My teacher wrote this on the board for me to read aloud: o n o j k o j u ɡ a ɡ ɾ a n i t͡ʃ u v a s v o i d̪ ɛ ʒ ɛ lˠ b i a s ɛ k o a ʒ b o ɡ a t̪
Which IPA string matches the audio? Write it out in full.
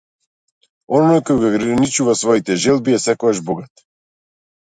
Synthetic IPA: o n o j k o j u ɡ a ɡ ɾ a n i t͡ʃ u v a s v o i t̪ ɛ ʒ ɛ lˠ b i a s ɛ k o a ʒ b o ɡ a t̪